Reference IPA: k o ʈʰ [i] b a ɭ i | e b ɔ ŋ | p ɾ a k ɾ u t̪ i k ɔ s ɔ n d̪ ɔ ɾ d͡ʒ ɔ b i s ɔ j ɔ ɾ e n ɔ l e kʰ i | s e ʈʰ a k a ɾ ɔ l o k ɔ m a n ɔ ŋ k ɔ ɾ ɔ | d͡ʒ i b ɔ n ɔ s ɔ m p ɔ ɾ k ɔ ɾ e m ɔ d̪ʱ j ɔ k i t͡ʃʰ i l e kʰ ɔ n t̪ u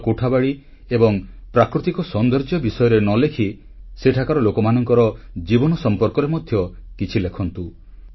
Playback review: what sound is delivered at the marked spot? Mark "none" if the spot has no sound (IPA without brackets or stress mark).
a